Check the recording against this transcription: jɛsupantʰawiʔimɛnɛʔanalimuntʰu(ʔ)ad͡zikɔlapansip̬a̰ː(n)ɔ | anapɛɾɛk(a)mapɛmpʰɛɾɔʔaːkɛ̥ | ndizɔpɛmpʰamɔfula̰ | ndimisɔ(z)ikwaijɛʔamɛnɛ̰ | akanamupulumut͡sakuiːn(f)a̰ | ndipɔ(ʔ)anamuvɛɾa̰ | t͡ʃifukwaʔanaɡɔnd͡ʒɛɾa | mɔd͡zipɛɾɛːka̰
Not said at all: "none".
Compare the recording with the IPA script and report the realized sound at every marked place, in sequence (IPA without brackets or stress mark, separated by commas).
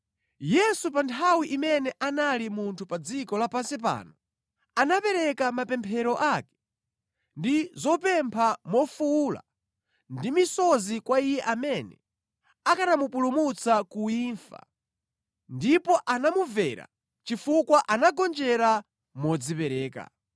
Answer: p, n, a, z, f, ʔ